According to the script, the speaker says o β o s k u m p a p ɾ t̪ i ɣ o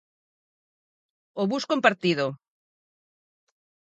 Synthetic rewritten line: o β u s k o m p a ɾ t̪ i ð o